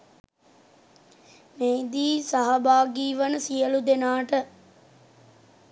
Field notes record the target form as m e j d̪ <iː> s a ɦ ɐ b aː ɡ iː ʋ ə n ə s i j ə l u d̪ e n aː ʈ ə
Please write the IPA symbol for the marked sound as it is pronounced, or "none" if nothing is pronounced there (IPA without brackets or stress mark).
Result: iː